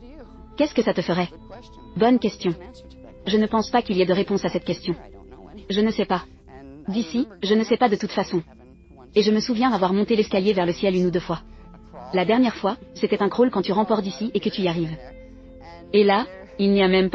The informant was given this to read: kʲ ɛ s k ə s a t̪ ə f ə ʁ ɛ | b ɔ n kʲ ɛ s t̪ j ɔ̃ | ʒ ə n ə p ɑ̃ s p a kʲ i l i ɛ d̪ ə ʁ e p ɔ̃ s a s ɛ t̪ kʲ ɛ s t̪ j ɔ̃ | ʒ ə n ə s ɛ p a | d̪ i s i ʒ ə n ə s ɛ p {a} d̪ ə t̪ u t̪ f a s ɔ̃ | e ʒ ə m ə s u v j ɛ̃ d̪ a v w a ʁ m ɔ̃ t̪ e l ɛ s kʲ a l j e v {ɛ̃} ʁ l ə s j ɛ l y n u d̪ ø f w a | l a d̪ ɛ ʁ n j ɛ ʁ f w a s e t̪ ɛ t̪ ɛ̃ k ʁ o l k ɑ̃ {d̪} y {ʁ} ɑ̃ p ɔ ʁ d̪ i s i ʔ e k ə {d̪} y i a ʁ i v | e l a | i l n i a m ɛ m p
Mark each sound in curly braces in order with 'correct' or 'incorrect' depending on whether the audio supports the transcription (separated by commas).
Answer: correct, incorrect, incorrect, correct, incorrect